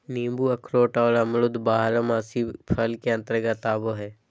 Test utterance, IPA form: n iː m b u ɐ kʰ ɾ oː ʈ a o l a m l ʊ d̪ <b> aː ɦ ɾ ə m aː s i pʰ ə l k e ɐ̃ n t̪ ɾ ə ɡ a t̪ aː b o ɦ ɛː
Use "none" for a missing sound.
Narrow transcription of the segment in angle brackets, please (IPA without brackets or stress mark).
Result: b